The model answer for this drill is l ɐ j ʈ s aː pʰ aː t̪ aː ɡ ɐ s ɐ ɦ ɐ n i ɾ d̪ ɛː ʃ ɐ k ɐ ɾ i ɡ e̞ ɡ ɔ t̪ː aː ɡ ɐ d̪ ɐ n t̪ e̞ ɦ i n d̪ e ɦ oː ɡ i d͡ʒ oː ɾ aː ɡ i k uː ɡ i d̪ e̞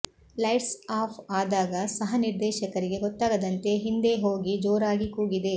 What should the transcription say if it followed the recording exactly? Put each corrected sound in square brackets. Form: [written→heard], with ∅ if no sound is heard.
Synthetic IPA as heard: l ɐ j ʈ s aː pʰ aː [t̪→d̪] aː ɡ ɐ s ɐ ɦ ɐ n i ɾ d̪ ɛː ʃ ɐ k ɐ ɾ i ɡ e̞ ɡ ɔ t̪ː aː ɡ ɐ d̪ ɐ n t̪ e̞ ɦ i n d̪ e ɦ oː ɡ i d͡ʒ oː ɾ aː ɡ i k uː ɡ i d̪ e̞